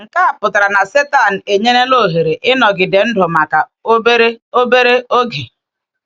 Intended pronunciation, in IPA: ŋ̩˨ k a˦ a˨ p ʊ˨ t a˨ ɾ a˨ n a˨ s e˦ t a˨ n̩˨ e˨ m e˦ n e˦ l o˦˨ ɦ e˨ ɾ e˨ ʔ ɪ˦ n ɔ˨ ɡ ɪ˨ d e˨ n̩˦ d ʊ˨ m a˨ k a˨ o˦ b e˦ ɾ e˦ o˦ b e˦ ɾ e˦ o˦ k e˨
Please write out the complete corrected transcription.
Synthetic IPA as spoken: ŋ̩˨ k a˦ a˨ p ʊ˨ t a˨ ɾ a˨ n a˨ s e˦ t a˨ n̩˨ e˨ ɲ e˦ n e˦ l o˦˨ ɦ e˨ ɾ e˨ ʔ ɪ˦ n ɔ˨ ɡ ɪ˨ d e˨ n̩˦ d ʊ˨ m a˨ k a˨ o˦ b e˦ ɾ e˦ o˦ b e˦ ɾ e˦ o˦ ɡ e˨